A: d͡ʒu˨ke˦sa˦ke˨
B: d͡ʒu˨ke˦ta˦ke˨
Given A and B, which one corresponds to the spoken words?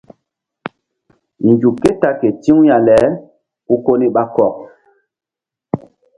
B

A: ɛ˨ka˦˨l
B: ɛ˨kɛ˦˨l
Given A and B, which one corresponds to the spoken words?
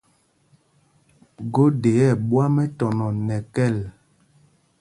B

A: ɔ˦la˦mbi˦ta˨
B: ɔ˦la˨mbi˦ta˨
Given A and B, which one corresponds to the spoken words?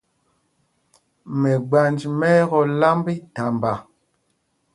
A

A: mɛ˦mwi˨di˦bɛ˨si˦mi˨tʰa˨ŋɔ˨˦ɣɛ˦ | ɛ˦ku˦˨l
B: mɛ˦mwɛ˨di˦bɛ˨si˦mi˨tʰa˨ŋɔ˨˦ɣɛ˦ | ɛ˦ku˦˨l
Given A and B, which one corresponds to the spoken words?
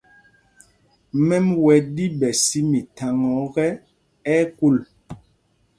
B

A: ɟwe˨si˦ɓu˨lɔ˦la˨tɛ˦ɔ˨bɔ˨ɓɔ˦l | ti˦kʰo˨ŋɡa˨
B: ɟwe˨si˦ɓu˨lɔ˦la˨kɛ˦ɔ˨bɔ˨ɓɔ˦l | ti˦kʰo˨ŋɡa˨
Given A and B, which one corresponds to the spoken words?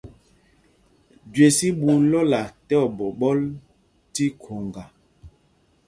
A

